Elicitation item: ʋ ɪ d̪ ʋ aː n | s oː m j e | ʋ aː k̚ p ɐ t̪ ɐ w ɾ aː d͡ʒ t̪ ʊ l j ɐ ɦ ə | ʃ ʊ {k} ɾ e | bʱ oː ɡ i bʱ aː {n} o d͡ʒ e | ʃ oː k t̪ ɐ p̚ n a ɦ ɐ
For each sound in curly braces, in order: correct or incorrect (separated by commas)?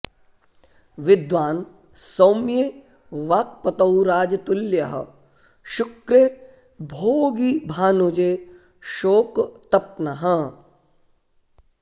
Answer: correct, correct